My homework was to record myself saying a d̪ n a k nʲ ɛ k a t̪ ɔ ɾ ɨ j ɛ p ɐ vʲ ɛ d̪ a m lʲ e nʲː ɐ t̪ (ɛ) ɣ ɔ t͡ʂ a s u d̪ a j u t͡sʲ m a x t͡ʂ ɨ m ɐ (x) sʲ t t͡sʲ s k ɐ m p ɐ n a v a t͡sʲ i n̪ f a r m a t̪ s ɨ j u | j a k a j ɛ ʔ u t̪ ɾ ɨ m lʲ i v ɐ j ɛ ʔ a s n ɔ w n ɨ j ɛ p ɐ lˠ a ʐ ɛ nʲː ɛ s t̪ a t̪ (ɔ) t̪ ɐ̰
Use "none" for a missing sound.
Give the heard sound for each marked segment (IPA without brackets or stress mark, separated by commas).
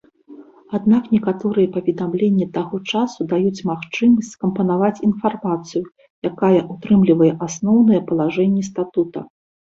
a, none, u